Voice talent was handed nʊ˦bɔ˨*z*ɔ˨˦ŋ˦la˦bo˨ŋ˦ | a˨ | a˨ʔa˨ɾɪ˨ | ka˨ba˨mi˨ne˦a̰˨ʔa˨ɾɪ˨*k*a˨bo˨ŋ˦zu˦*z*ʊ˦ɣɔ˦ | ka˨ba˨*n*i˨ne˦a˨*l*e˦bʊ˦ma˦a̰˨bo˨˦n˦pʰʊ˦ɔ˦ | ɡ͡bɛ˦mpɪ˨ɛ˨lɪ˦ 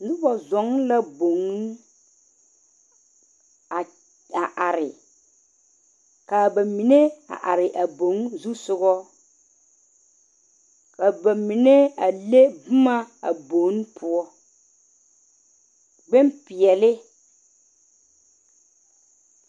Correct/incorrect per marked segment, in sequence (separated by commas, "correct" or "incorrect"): correct, incorrect, incorrect, incorrect, correct